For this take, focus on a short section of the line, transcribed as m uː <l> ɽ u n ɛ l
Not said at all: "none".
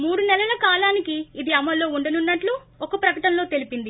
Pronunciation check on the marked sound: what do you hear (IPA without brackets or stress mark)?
none